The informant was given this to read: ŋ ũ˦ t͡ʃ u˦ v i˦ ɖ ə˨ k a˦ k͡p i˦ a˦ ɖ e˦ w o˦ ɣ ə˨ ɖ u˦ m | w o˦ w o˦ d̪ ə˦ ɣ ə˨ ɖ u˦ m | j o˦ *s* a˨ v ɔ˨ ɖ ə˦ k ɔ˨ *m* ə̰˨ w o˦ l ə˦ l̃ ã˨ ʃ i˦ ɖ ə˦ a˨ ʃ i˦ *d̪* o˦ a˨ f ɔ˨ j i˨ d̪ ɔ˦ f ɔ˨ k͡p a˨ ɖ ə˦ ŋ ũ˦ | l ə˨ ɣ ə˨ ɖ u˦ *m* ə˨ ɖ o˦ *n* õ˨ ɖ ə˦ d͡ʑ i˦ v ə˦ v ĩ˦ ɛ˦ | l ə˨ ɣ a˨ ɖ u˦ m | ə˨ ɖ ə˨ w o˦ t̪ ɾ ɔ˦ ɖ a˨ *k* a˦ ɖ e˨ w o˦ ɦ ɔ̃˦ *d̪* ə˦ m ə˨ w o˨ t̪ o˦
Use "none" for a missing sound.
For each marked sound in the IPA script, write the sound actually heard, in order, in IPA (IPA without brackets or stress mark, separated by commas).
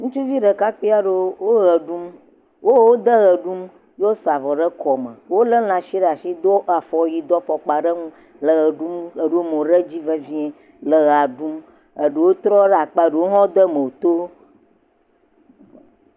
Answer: s, m, d̪, m, m, k͡p, d̪